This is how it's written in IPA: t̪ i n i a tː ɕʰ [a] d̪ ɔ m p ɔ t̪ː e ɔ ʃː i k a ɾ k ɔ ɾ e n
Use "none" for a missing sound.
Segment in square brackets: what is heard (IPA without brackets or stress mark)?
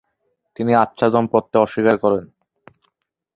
a